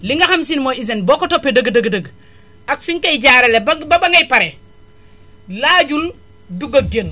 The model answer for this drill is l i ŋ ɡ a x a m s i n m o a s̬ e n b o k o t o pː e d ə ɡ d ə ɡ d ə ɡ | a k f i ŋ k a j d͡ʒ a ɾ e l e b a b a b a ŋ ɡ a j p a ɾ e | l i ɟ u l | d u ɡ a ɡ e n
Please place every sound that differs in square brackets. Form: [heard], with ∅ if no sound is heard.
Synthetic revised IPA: l i ŋ ɡ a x a m s i n m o [i] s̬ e n b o k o t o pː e d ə ɡ d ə ɡ d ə ɡ | a k f i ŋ k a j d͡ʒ a ɾ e l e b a b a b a ŋ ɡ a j p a ɾ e | l [a] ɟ u l | d u ɡ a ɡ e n